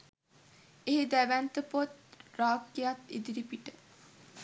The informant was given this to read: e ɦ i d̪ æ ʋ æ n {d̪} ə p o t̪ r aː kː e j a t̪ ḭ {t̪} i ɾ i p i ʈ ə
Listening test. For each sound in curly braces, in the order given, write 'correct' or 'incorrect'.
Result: incorrect: t̪, incorrect: d̪

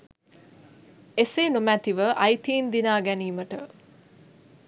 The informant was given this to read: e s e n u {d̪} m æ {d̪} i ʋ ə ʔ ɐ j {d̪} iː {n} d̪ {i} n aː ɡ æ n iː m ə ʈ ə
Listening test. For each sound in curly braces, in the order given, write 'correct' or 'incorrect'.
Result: incorrect: none, incorrect: t̪, incorrect: t̪, correct, correct

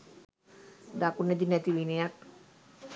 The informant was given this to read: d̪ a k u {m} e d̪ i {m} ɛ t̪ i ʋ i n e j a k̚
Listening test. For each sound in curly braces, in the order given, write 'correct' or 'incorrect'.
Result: incorrect: n, incorrect: n

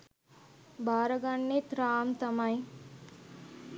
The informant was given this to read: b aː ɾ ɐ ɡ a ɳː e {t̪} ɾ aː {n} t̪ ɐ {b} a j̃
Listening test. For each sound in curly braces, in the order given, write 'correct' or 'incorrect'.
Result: correct, incorrect: m, incorrect: m

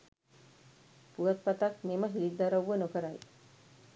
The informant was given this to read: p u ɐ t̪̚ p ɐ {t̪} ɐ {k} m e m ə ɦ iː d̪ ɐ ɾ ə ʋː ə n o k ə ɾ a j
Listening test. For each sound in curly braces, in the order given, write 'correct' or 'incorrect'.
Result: correct, correct

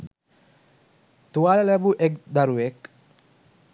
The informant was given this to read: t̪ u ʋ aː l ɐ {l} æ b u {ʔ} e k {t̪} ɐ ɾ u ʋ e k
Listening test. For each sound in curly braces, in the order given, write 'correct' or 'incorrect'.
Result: correct, correct, incorrect: d̪

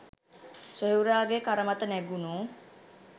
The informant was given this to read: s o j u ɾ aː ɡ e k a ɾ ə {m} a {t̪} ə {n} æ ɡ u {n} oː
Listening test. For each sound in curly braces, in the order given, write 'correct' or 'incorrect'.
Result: correct, correct, correct, correct

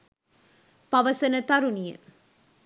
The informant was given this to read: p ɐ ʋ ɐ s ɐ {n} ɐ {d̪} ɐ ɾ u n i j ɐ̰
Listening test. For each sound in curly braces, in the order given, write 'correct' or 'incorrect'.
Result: correct, incorrect: t̪

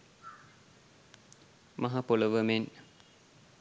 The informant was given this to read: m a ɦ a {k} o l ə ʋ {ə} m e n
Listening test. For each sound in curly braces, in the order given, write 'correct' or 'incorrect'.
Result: incorrect: p, correct

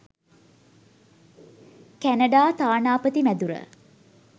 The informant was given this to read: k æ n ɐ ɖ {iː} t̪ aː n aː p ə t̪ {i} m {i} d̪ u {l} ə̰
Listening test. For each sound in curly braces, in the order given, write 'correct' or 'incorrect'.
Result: incorrect: aː, correct, incorrect: æ, incorrect: ɾ

